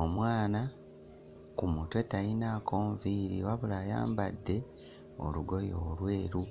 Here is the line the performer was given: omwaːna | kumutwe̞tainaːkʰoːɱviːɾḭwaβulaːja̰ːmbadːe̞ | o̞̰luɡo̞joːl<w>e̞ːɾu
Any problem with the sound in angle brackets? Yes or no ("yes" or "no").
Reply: no